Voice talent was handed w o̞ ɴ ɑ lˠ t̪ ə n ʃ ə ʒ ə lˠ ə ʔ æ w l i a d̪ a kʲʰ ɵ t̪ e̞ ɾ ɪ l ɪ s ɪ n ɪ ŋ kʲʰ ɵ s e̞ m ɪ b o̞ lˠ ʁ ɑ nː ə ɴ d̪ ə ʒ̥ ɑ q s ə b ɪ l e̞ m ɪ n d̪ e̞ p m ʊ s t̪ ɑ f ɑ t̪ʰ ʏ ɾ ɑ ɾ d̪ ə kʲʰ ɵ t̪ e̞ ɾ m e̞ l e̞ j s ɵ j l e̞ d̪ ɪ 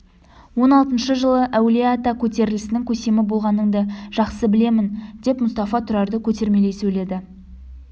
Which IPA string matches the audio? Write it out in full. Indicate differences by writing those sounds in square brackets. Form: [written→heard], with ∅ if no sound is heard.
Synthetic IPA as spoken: w o̞ [ɴ→n] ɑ lˠ t̪ ə n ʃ ə ʒ ə lˠ ə ʔ æ w l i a [d̪→t̪] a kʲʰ ɵ t̪ e̞ ɾ ɪ l ɪ s ɪ n ɪ ŋ kʲʰ ɵ s e̞ m ɪ b o̞ lˠ ʁ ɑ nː ə ɴ d̪ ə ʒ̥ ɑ q s ə b ɪ l e̞ m ɪ n d̪ e̞ p m ʊ s t̪ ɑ f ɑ t̪ʰ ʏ ɾ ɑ ɾ d̪ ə kʲʰ ɵ t̪ e̞ ɾ m e̞ l e̞ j s ɵ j l e̞ d̪ ɪ